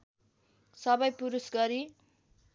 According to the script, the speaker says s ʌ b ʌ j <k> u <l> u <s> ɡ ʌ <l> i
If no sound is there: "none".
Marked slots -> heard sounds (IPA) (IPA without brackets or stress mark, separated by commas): p, ɾ, s, ɾ